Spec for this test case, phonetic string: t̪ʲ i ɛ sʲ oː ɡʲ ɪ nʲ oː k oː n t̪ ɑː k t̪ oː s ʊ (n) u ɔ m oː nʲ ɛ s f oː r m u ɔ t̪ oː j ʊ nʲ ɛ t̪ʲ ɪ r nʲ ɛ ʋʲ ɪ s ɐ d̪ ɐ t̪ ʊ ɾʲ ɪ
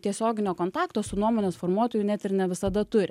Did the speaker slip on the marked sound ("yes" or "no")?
no